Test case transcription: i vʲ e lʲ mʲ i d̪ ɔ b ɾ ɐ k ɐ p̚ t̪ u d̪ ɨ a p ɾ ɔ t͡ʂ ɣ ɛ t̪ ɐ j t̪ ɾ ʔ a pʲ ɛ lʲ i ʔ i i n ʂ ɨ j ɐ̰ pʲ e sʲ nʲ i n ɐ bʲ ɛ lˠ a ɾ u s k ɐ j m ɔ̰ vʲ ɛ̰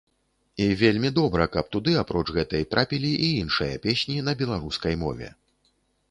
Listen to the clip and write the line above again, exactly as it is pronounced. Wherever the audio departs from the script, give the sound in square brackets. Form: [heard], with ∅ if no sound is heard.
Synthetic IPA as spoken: i vʲ e lʲ mʲ i d̪ ɔ b ɾ ɐ k ɐ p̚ t̪ u d̪ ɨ a p ɾ ɔ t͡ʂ ɣ ɛ t̪ ɐ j t̪ ɾ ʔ a pʲ [i] lʲ i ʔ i i n ʂ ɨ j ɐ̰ pʲ e sʲ nʲ i n ɐ bʲ ɛ lˠ a ɾ u s k ɐ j m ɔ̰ vʲ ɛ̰